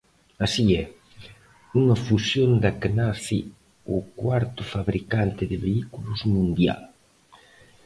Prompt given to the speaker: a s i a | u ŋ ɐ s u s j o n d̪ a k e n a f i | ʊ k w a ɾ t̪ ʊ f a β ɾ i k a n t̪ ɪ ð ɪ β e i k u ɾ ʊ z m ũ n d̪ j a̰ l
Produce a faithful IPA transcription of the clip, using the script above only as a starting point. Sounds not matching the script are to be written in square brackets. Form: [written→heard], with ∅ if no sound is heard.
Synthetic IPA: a s i [a→ɛ] | u ŋ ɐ [s→f] u s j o n d̪ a k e n a [f→θ] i | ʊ k w a ɾ t̪ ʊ f a β ɾ i k a n t̪ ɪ ð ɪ β e i k u [ɾ→l] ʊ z m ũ n d̪ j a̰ l

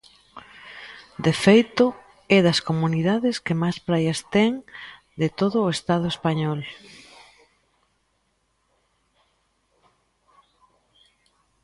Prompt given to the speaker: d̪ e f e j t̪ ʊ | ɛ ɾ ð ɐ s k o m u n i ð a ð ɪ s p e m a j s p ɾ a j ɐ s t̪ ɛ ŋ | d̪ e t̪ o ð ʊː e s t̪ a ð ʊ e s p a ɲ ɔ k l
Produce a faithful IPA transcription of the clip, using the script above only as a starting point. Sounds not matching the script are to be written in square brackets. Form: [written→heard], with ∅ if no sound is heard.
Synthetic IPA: d̪ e f e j t̪ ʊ | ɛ [ɾ→∅] ð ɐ s k o m u n i ð a ð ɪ s [p→k] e m a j s p ɾ a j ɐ s t̪ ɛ ŋ | d̪ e t̪ o ð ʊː e s t̪ a ð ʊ e s p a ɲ ɔ [k→∅] l

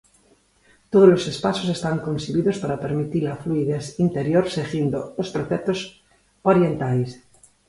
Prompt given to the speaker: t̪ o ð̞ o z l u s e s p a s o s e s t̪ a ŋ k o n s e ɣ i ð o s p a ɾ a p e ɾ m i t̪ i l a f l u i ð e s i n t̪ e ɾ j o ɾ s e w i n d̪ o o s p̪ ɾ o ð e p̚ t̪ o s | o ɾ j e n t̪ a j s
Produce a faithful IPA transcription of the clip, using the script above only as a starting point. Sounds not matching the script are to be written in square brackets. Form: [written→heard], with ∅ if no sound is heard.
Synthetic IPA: t̪ o ð̞ o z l [u→o] s e s p a s o s e s t̪ a ŋ k o n s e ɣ i ð o s p a ɾ a p e ɾ m i t̪ i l a f l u i ð e s i n t̪ e ɾ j o ɾ s e [w→ɣ] i n d̪ o o s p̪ ɾ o [ð→θ] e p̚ t̪ o s | o ɾ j e n t̪ a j s

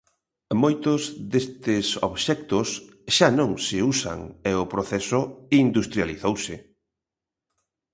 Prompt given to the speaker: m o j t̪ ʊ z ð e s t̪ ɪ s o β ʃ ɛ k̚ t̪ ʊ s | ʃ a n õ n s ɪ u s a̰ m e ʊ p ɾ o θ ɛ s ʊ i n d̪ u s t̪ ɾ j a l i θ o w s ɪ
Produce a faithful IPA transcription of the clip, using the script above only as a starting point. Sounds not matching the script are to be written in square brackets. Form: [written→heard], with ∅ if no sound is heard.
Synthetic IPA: m o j t̪ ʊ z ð e s t̪ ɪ s o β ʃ ɛ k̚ t̪ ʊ s | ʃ a n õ [n→ŋ] s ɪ u s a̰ [m→ŋ] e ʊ p ɾ o θ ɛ s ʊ i n d̪ u s t̪ ɾ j a l i θ o w s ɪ

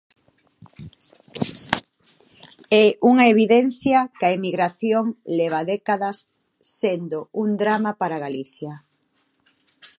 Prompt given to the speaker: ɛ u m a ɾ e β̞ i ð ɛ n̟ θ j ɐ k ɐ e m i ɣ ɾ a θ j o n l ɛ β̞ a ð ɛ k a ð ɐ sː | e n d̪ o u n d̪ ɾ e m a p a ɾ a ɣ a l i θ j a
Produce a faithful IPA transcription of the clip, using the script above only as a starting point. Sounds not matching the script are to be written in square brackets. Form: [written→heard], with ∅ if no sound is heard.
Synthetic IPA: ɛ u [m→ŋ] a [ɾ→∅] e β̞ i ð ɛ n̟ θ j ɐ k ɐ e m i ɣ ɾ a θ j o [n→ŋ] l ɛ β̞ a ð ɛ k a ð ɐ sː | e n d̪ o u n d̪ ɾ [e→a] m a p a ɾ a ɣ a l i θ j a

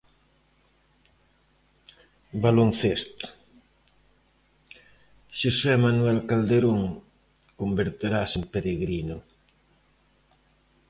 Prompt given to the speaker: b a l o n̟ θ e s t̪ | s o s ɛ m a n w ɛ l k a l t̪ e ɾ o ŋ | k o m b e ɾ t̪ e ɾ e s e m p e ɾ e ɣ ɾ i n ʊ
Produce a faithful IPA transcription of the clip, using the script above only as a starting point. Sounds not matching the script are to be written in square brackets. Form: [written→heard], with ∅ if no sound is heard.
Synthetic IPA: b a l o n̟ θ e s t̪ | [s→ʃ] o s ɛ m a n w ɛ l k a l [t̪→d̪] e ɾ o ŋ | k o m b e ɾ t̪ e ɾ [e→a] s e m p e ɾ e ɣ ɾ i n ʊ

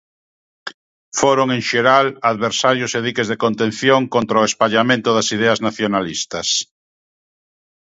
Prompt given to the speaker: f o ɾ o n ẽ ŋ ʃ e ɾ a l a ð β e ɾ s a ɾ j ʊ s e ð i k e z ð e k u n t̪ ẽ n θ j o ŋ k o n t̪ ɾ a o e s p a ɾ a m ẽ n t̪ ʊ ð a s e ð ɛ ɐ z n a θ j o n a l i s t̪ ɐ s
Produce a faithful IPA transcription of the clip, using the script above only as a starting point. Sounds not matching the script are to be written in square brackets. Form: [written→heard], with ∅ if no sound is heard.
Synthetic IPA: f o ɾ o [n→ŋ] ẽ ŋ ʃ e ɾ a l a ð β e ɾ s a ɾ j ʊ s e ð i k e z ð e k [u→o] n t̪ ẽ n θ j o ŋ k o n t̪ ɾ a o e s p a [ɾ→ʎ] a m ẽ n t̪ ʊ ð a s [e→i] ð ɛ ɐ z n a θ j o n a l i s t̪ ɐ s

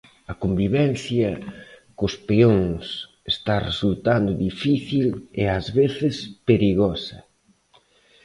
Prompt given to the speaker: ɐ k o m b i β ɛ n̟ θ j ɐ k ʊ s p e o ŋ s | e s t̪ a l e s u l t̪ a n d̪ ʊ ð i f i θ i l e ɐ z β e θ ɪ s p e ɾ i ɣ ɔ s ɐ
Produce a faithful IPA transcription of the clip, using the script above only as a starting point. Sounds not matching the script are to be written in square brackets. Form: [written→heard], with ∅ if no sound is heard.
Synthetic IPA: ɐ k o m b i β ɛ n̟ θ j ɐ k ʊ s p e o ŋ s | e s t̪ a [l→r] e s u l t̪ a n d̪ ʊ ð i f i θ i l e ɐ z β e θ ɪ s p e ɾ i ɣ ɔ s ɐ

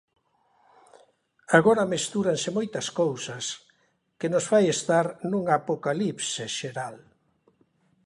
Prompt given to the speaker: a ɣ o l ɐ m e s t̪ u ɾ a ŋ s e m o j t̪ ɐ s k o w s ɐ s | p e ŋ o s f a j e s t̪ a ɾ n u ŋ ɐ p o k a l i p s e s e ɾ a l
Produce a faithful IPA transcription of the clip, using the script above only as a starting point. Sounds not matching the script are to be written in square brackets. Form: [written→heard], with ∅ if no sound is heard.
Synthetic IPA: a ɣ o [l→ɾ] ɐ m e s t̪ u ɾ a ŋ s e m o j t̪ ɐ s k o w s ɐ s | [p→k] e [ŋ→n] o s f a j e s t̪ a ɾ n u ŋ [ɐ→a] p o k a l i p s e [s→ʃ] e ɾ a l

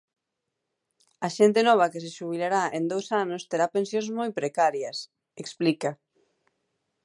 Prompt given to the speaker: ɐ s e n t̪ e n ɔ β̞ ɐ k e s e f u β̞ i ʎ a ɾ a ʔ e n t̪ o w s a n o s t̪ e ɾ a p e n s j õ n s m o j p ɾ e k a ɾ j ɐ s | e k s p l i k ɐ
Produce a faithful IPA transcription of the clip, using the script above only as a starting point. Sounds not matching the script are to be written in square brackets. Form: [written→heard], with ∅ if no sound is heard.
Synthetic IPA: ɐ [s→ʃ] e n t̪ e n ɔ β̞ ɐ k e s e [f→ʃ] u β̞ i [ʎ→l] a ɾ a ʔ e n [t̪→d̪] o w s a n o s t̪ e ɾ a p e n s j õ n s m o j p ɾ e k a ɾ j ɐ s | e k s p l i k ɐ

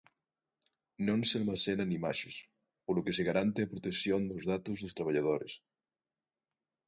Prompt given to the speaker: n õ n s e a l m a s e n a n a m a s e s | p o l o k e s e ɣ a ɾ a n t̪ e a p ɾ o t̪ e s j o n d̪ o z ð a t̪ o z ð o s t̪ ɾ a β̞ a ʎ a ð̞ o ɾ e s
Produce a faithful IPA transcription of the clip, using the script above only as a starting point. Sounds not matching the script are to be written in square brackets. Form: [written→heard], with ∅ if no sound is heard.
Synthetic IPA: n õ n s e a l m a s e n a n [a→i] m a [s→ʃ] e s | p o l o k e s e ɣ a ɾ a n t̪ e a p ɾ o t̪ e s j o n d̪ o z ð a t̪ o z ð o s t̪ ɾ a β̞ a ʎ a ð̞ o ɾ e s

